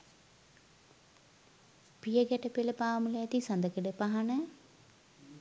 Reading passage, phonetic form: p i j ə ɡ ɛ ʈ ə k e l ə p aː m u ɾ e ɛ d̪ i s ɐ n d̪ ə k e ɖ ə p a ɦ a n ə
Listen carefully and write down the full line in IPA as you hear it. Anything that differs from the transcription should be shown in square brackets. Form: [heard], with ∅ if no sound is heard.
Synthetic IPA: p i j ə ɡ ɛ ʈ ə [p] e l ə p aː m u [l] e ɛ [t̪] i s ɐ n d̪ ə k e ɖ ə p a ɦ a n ə